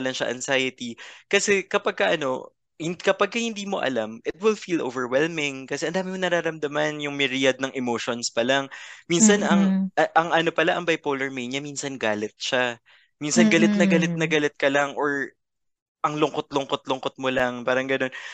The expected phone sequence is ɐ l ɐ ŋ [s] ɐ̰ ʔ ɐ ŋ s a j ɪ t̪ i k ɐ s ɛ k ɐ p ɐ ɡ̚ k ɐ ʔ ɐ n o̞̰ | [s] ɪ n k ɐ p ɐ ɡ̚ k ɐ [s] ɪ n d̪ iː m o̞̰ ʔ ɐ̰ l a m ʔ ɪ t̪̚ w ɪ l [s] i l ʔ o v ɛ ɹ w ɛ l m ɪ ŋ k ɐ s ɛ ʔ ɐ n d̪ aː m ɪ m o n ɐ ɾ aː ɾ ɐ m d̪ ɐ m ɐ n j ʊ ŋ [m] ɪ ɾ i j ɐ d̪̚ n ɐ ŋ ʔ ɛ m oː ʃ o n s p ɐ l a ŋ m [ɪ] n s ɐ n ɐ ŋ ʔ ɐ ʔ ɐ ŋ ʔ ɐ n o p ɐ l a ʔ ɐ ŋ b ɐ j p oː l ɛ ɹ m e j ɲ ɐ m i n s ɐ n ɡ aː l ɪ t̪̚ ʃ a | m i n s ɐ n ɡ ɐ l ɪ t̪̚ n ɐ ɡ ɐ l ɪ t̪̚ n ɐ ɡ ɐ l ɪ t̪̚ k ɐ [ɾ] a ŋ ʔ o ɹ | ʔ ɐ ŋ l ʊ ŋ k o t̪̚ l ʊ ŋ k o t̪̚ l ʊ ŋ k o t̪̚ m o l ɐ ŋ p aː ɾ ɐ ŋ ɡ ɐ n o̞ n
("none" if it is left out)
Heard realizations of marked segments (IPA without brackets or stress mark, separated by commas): ʃ, h, h, f, m, i, l